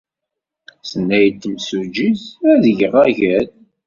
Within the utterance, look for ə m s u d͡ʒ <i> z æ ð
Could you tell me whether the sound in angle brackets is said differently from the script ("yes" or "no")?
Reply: no